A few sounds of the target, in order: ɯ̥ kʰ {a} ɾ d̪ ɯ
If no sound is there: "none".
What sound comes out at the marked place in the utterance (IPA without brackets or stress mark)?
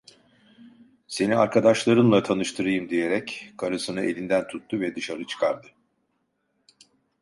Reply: a